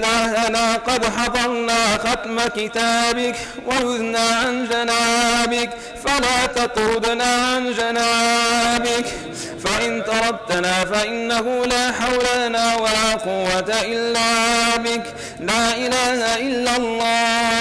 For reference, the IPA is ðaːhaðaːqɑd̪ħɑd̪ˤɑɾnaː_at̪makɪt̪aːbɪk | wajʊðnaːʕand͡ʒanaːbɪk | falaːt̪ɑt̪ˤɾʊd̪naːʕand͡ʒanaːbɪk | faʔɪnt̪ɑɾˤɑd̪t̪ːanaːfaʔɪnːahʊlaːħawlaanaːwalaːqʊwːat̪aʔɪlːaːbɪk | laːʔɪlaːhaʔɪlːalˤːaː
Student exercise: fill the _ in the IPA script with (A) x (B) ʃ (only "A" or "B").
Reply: A